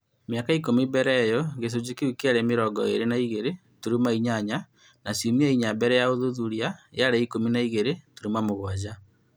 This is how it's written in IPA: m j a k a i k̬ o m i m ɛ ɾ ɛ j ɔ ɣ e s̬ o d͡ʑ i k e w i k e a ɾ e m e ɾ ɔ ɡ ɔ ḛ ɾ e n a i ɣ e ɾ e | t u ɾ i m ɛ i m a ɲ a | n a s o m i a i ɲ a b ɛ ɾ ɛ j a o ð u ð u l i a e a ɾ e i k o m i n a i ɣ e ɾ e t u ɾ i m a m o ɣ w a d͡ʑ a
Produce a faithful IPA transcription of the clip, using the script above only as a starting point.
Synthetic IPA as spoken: m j a k a i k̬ o m i b ɛ ɾ ɛ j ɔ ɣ e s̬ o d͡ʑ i k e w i k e a ɾ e m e ɾ ɔ ɡ ɔ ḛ ɾ e n a i ɣ e ɾ e | t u ɾ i m a i ɲ a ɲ a | n a s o m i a i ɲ a b ɛ ɾ ɛ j a o ð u ð u ɾ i a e a ɾ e i k o m i n a i ɣ e ɾ e t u ɾ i m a m o ɣ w a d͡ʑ a